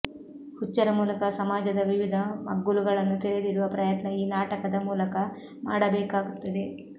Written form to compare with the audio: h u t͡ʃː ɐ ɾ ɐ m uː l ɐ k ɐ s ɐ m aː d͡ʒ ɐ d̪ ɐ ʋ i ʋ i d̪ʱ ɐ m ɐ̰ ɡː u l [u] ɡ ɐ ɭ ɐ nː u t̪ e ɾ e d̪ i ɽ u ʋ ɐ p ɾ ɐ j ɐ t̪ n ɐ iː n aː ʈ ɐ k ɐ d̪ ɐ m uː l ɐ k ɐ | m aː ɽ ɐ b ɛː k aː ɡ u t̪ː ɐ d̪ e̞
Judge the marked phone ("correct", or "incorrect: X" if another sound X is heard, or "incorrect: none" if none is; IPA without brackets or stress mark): correct